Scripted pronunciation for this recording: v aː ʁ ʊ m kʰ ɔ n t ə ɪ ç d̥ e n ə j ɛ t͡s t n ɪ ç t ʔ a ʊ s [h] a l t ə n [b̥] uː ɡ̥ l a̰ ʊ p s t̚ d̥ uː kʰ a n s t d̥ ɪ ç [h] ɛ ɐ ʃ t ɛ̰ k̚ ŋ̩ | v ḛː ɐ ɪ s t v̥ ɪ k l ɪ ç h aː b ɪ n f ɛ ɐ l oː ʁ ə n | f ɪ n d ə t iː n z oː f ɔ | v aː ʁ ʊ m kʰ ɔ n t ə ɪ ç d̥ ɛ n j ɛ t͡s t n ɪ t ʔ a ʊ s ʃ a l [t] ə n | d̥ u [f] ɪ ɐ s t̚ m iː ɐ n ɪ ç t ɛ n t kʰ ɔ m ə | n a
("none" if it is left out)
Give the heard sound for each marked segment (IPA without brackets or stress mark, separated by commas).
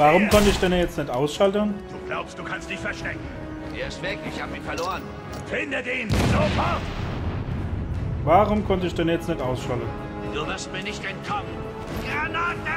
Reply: ʃ, d̥, f, t, v